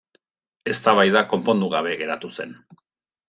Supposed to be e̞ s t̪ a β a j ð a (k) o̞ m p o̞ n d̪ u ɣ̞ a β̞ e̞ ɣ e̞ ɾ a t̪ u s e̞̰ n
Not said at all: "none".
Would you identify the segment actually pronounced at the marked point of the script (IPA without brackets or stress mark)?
k